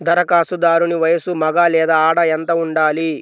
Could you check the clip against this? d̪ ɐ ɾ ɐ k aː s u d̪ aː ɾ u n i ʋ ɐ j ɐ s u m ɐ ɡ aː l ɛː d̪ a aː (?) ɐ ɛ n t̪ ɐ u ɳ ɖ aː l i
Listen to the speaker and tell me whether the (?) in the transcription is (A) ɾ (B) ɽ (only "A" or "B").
B